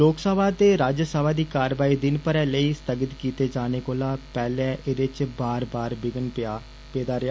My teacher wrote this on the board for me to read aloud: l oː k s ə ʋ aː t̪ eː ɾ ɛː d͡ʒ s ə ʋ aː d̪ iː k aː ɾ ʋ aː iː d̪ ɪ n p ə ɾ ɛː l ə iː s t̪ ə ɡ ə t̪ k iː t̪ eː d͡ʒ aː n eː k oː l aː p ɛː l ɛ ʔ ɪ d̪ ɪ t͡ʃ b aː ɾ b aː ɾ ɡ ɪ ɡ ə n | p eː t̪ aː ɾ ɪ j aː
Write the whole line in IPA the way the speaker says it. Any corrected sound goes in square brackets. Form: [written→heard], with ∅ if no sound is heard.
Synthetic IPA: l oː k s ə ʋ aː t̪ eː ɾ [ɛː→aː] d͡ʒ s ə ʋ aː d̪ iː k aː ɾ ʋ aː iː d̪ ɪ n p ə ɾ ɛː l ə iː s t̪ ə ɡ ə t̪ k iː t̪ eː d͡ʒ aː n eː k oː l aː p ɛː l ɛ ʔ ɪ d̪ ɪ t͡ʃ b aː ɾ b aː ɾ [ɡ→b] ɪ ɡ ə n | p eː [t̪→d̪] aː ɾ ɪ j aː